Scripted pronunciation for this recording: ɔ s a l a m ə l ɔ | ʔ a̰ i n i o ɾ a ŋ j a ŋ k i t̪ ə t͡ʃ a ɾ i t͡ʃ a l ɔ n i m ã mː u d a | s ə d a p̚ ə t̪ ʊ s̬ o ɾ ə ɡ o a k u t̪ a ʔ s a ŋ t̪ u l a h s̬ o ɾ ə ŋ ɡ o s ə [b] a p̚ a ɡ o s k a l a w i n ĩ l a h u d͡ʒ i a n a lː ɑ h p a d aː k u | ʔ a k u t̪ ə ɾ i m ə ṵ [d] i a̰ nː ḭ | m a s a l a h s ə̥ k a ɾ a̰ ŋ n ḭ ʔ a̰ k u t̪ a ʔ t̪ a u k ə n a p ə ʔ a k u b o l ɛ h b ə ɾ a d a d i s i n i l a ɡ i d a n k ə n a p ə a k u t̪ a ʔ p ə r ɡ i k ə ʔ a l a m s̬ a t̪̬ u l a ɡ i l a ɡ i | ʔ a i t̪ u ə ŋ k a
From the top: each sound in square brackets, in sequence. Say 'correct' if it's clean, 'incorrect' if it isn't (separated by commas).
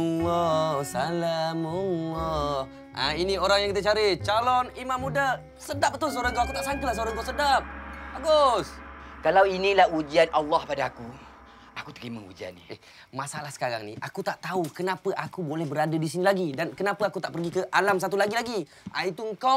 incorrect, incorrect